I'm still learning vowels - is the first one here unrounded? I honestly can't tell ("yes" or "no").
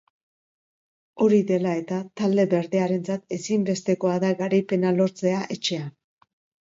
no